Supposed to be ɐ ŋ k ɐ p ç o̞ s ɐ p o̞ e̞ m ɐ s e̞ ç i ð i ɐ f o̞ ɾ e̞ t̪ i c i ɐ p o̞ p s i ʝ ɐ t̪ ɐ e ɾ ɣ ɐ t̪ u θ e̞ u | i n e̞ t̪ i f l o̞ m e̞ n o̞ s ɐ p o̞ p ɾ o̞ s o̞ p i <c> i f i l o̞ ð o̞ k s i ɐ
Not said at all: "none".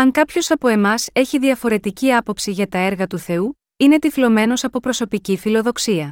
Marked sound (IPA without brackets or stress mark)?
c